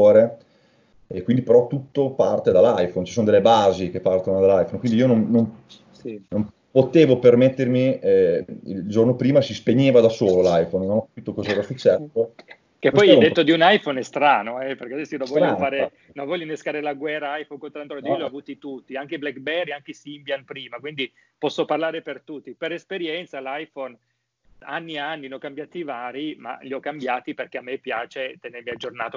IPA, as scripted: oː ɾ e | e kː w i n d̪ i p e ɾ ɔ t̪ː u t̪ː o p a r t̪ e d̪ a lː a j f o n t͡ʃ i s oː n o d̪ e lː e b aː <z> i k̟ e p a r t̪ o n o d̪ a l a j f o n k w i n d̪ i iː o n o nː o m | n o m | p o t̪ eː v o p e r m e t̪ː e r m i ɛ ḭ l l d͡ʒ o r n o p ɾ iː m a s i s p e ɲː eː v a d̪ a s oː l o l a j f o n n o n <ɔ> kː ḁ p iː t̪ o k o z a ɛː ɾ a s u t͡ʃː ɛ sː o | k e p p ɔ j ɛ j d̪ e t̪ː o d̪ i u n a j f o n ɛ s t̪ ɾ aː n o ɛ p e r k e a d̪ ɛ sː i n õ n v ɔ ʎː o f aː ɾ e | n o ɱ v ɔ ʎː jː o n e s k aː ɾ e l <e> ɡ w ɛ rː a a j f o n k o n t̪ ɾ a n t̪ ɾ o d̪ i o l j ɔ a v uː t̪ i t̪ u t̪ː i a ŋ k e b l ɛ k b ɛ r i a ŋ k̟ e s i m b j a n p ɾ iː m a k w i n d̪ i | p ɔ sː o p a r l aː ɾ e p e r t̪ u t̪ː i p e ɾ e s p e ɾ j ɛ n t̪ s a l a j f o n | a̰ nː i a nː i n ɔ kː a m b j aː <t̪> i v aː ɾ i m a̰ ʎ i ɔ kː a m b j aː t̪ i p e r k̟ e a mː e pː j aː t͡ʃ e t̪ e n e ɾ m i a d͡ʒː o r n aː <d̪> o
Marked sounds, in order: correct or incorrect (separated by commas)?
correct, correct, incorrect, correct, incorrect